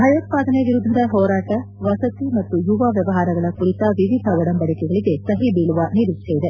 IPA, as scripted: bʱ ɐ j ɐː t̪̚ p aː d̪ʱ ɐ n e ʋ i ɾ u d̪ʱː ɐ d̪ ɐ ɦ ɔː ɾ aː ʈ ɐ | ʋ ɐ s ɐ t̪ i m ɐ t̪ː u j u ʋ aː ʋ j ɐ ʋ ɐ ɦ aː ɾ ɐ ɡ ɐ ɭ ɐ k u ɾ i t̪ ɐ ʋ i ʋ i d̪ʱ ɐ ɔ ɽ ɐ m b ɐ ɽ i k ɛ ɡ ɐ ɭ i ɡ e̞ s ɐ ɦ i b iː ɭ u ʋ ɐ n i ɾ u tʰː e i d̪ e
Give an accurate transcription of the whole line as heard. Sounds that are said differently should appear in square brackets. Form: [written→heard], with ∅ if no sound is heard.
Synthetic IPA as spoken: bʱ ɐ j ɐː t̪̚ p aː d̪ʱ ɐ n e ʋ i ɾ u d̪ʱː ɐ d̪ ɐ ɦ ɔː ɾ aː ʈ ɐ | ʋ ɐ s ɐ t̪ i m ɐ t̪ː u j u ʋ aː ʋ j ɐ ʋ ɐ ɦ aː ɾ ɐ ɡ ɐ ɭ ɐ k u ɾ i t̪ ɐ ʋ i ʋ i d̪ʱ ɐ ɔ ɽ ɐ m b ɐ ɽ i k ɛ ɡ ɐ ɭ i ɡ e̞ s ɐ ɦ i b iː ɭ u ʋ ɐ n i ɾ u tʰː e i d̪ e